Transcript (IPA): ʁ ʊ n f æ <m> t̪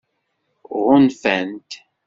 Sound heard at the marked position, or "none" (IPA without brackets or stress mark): n